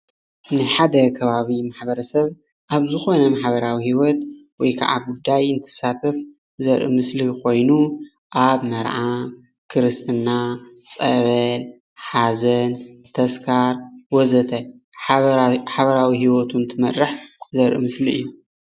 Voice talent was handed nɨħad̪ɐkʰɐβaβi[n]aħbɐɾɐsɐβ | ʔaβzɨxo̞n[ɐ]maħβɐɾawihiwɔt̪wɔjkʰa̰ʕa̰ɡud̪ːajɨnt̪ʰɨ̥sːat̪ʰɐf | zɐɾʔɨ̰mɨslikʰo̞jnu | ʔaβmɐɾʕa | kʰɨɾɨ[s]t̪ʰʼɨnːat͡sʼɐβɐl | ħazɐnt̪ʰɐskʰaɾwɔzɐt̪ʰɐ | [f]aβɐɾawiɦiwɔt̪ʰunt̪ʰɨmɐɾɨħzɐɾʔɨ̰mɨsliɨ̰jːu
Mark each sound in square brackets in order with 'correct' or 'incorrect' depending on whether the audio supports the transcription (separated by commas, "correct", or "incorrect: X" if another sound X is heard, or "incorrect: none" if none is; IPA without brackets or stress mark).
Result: incorrect: m, correct, correct, incorrect: ħ